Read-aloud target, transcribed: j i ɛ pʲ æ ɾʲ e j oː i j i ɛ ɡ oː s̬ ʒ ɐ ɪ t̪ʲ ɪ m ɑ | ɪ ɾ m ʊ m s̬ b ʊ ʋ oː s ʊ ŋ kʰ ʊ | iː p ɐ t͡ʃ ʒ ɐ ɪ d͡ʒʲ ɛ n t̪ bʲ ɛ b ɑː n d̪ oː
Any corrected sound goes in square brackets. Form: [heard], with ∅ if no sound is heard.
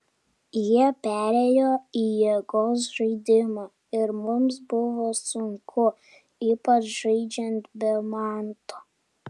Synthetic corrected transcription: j i ɛ pʲ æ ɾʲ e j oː i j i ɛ ɡ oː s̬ ʒ ɐ ɪ [d̪ʲ] ɪ m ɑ | ɪ ɾ m ʊ m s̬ b ʊ ʋ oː s ʊ ŋ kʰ ʊ | iː p ɐ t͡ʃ ʒ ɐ ɪ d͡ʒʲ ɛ n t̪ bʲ ɛ [m] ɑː n [t̪] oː

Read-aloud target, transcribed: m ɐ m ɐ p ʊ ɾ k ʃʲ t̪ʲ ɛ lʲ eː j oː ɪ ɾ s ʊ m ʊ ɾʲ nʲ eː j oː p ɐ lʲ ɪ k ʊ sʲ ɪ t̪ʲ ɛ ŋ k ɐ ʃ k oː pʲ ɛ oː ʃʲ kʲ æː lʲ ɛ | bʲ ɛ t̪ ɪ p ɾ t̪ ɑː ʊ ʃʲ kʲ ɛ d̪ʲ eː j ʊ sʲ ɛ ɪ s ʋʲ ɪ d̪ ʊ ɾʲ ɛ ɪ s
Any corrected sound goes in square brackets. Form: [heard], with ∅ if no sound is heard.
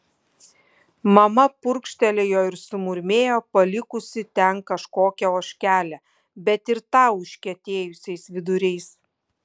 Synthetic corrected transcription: m ɐ m ɐ p ʊ ɾ k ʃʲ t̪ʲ ɛ lʲ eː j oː ɪ ɾ s ʊ m ʊ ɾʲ [mʲ] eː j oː p ɐ lʲ ɪ k ʊ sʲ ɪ t̪ʲ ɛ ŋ k ɐ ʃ k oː [kʲ] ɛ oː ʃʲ kʲ æː lʲ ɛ | bʲ ɛ t̪ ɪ [∅] ɾ t̪ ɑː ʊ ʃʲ kʲ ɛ [t̪ʲ] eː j ʊ sʲ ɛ ɪ s ʋʲ ɪ d̪ ʊ ɾʲ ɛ ɪ s

